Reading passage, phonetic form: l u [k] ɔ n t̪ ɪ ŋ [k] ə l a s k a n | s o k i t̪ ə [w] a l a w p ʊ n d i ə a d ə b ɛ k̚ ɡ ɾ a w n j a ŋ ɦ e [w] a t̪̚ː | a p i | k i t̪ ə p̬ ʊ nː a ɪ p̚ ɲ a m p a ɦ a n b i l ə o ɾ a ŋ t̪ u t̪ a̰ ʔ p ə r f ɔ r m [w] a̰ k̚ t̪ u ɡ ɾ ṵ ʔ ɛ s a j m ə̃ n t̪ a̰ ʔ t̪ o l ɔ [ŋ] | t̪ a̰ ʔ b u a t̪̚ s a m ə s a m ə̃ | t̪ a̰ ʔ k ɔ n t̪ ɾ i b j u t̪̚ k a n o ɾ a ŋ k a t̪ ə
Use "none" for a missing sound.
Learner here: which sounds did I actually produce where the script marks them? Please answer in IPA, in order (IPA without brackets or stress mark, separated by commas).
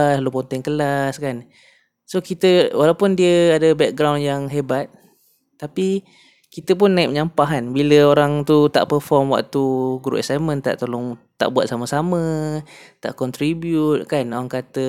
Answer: p, k, w, b, w, ŋ